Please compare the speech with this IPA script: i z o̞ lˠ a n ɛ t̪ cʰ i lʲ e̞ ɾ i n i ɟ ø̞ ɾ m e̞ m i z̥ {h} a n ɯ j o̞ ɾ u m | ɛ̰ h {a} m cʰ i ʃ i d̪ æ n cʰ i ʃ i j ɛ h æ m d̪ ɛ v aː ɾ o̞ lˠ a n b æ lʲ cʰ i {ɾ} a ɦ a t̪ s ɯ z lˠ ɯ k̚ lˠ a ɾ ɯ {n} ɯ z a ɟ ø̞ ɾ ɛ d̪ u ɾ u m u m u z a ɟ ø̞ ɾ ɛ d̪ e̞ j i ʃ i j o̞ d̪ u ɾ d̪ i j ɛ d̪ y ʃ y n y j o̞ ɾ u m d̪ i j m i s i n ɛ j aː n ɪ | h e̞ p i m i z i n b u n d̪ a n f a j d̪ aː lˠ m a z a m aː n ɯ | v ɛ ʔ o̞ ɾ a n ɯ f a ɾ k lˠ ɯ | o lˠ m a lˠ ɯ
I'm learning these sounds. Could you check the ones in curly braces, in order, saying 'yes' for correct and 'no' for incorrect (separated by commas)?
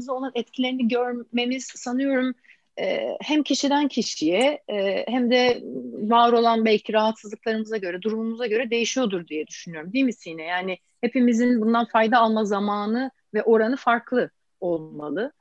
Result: no, no, yes, no